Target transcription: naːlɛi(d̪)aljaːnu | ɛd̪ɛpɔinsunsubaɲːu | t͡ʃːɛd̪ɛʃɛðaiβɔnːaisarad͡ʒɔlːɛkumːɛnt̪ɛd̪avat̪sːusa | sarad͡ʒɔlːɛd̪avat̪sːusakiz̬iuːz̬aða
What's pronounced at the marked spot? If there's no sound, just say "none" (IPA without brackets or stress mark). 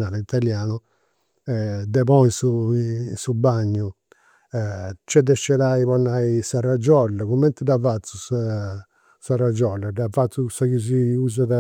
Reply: t̪